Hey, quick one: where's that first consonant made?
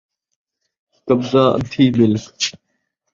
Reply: velum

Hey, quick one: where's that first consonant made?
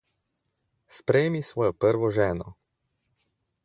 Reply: tongue tip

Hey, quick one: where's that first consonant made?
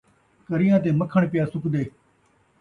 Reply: velum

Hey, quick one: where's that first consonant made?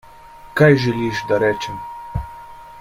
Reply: velum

